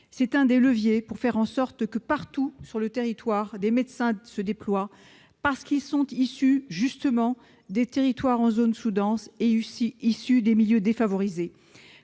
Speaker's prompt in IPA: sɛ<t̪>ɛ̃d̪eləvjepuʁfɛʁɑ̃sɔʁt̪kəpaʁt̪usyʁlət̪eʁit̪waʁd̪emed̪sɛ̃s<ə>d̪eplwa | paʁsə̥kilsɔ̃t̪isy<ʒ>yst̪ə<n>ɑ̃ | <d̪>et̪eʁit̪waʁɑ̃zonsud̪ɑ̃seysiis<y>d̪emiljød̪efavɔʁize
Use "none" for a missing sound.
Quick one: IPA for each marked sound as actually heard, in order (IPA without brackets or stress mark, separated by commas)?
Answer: t̪, ə, ʒ, m, d̪, y